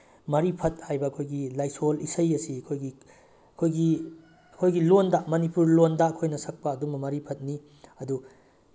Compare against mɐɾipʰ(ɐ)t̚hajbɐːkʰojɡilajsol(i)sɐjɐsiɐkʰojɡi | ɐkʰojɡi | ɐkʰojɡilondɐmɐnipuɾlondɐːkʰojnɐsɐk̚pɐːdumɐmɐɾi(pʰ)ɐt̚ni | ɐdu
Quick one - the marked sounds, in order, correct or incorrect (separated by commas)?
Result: correct, correct, correct